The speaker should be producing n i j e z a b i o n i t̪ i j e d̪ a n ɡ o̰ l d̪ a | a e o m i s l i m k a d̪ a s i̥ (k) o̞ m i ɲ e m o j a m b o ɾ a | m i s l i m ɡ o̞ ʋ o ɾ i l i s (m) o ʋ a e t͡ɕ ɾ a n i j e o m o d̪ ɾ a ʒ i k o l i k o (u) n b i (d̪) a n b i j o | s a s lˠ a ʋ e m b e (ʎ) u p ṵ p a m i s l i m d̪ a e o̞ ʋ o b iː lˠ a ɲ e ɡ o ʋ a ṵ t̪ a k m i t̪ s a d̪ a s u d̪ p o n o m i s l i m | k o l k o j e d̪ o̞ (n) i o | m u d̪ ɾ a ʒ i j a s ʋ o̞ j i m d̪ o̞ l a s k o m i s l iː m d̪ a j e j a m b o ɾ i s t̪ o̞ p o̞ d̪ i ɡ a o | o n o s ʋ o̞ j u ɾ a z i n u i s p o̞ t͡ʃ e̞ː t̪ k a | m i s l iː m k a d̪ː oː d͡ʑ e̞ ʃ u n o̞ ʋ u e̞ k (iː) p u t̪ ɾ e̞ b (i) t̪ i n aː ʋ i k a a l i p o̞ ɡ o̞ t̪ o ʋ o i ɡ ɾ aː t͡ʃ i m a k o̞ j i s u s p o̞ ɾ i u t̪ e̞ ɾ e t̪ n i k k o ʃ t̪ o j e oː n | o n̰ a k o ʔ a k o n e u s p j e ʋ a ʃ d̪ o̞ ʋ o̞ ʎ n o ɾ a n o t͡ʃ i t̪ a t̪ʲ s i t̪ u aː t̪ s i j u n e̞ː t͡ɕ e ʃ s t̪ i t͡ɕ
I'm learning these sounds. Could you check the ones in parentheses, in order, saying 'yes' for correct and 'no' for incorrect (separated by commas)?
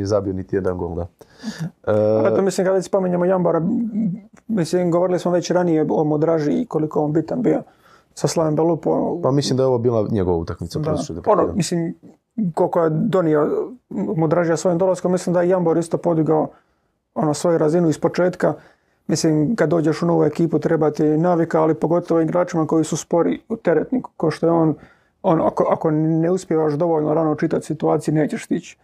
no, yes, no, no, no, yes, yes, no